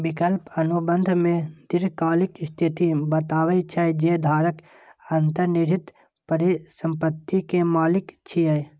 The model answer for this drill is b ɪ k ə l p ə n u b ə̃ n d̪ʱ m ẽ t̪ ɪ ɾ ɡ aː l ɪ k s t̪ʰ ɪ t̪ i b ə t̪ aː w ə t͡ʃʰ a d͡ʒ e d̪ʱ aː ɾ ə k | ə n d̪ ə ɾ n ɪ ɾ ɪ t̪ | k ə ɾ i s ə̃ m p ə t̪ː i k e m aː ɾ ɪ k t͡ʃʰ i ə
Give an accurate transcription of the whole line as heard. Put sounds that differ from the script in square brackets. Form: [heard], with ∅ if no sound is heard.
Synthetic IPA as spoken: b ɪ k ə l p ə n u b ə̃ n d̪ʱ m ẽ [d̪] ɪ ɾ [k] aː l ɪ k s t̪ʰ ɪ t̪ i b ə t̪ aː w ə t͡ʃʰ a d͡ʒ e d̪ʱ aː ɾ ə k | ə n [t̪] ə ɾ n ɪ ɾ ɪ t̪ | [p] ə ɾ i s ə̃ m p ə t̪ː i k e m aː [l] ɪ k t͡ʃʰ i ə